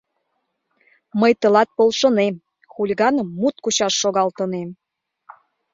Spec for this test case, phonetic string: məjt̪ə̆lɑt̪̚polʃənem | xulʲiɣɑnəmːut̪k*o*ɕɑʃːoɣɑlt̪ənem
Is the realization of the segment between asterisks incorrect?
yes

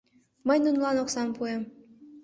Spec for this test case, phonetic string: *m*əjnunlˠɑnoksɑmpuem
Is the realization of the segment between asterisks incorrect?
no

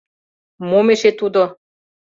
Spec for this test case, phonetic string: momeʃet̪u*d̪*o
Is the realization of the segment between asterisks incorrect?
no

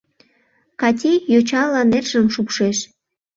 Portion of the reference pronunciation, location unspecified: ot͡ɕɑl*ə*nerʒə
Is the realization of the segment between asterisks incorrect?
yes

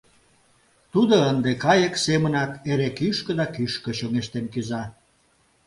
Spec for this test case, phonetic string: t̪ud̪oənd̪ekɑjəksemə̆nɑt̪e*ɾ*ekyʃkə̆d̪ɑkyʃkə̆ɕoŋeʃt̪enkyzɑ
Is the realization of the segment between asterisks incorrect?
no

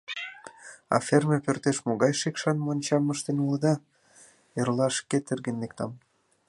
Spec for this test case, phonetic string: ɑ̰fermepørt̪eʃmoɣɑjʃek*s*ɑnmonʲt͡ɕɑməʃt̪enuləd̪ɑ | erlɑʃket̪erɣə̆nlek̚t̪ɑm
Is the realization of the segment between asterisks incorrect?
yes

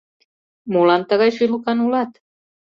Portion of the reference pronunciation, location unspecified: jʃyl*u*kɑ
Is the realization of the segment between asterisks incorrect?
no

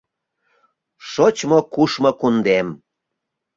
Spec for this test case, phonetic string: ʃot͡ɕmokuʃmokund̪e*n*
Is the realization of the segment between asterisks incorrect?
yes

